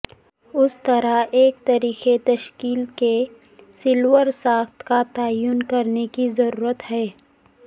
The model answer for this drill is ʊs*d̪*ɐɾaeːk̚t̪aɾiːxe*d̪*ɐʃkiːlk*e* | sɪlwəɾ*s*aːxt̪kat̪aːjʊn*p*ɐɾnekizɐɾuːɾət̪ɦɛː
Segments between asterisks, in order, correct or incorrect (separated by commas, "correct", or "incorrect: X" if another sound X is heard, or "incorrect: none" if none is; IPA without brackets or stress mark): incorrect: t̪, incorrect: t̪, correct, correct, incorrect: k